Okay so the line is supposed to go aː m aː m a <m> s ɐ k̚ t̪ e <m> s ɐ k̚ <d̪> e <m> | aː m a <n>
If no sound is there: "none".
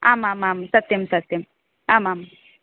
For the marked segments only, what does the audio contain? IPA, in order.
m, m, t̪, m, m

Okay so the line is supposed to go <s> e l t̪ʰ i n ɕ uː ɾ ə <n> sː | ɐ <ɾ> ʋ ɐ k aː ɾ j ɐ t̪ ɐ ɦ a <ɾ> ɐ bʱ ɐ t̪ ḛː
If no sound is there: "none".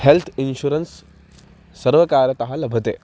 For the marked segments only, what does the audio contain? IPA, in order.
h, n, ɾ, l

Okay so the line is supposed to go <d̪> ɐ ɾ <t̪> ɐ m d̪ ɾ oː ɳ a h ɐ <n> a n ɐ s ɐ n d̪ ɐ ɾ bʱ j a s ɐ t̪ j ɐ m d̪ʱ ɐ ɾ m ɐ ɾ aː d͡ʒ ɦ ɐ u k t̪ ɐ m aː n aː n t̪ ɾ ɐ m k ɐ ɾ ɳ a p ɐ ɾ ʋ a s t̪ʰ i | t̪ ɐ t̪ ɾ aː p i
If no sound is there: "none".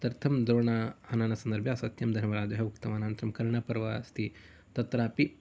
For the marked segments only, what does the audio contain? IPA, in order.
t̪, t̪ʰ, n

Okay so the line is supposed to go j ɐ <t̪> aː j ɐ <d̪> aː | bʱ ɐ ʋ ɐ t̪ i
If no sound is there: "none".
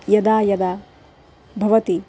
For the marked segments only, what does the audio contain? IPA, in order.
d̪, d̪

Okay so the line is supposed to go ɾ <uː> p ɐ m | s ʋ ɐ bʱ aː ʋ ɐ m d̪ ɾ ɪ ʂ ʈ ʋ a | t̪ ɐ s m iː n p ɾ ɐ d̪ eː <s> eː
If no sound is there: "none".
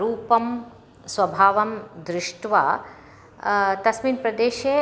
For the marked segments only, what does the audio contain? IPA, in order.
uː, ʃ

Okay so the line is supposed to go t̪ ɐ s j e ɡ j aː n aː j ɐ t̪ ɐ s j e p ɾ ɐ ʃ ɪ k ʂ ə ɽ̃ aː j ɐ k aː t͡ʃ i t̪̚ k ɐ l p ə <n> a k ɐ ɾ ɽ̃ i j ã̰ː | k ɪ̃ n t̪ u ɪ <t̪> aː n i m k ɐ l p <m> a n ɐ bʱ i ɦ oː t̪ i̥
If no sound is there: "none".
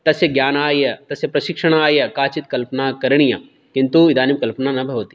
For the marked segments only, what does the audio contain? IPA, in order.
n, d̪, n

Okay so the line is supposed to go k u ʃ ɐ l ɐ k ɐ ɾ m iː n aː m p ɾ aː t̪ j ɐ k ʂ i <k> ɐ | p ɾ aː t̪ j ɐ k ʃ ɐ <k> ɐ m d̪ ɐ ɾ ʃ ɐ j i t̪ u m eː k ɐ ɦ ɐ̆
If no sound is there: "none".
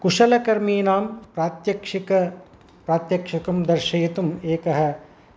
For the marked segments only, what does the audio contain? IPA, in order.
k, k

